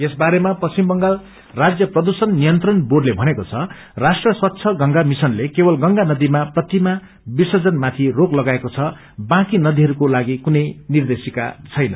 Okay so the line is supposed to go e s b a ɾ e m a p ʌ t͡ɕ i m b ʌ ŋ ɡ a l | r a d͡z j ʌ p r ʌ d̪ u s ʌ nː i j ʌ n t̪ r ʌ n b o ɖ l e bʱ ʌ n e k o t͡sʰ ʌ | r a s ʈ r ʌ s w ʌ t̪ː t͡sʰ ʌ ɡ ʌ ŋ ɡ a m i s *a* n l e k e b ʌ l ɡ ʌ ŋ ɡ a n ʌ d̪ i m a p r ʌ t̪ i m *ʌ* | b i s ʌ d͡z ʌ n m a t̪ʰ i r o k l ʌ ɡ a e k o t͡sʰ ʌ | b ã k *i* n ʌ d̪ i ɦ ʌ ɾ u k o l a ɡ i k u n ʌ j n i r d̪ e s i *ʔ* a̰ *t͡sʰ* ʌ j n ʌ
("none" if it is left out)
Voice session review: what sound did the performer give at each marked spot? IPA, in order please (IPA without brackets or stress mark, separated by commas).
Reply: ʌ, a, i, k, t͡sʰ